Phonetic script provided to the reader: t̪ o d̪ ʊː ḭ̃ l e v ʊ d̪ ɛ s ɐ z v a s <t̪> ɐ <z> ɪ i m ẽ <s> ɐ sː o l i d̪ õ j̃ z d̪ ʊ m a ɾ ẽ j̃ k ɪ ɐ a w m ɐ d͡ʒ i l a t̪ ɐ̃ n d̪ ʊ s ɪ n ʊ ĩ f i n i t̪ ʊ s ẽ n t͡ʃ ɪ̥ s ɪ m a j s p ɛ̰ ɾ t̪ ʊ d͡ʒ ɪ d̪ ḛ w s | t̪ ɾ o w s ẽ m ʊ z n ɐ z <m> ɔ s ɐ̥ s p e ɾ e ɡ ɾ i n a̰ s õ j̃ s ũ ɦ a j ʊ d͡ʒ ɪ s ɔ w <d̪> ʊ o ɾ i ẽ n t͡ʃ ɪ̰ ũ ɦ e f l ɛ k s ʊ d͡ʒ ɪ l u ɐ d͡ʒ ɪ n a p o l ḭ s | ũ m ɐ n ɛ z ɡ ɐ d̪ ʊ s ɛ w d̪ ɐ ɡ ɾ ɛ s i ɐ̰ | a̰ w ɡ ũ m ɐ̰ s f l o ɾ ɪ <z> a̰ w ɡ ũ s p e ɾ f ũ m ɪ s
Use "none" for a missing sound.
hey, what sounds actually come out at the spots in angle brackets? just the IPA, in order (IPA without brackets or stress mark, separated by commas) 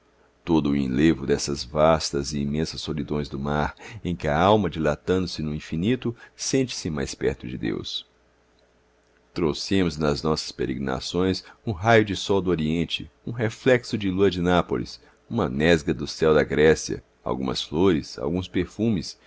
t̪, z, s, n, d̪, s